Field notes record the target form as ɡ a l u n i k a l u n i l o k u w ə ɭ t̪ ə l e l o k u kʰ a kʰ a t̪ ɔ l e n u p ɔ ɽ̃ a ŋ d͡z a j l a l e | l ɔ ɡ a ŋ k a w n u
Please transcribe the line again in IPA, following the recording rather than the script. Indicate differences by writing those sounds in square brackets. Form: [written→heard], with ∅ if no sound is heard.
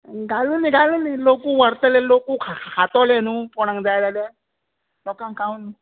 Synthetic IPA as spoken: ɡ a l u n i [k→ɡ] a l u n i l o k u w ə [ɭ→ɾ] t̪ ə l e l o k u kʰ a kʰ a t̪ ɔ l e n u p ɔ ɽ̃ a ŋ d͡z a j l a l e | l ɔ [ɡ→k] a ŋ k a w n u